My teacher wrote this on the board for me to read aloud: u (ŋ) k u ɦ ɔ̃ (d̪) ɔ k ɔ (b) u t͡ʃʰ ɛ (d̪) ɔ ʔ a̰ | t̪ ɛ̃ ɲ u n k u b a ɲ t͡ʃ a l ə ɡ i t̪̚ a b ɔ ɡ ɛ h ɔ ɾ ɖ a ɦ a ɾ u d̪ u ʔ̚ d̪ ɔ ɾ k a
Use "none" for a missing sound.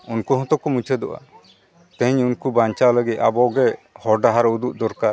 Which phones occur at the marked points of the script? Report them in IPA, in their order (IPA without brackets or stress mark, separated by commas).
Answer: n, t̪, m, d̪